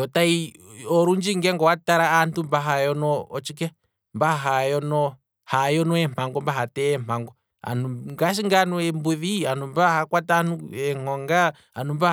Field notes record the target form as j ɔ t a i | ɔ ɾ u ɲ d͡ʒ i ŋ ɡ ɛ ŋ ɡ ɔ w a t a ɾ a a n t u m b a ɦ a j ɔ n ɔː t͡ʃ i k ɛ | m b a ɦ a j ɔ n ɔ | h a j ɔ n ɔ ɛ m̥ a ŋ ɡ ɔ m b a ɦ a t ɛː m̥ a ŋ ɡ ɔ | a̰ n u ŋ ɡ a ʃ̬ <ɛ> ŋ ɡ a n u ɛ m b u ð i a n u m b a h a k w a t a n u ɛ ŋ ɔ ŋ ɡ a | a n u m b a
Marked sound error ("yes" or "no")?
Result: yes